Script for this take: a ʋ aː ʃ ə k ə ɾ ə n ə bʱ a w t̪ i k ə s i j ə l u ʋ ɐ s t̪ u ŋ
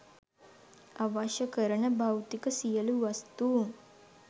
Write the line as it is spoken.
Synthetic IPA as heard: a ʋ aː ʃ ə k ə ɾ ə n ə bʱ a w t̪ i k ə s i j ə l u ʋ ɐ s t̪ u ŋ